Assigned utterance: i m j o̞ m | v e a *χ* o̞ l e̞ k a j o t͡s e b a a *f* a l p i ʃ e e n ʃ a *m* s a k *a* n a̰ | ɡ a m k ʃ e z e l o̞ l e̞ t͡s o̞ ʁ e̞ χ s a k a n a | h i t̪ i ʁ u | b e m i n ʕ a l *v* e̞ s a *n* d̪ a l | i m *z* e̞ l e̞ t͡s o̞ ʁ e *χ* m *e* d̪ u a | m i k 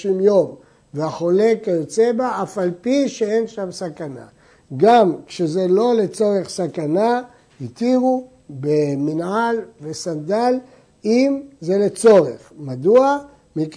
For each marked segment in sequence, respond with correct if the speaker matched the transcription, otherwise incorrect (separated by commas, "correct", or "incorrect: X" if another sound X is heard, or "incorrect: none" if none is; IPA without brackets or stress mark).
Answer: correct, correct, correct, correct, correct, correct, correct, correct, incorrect: a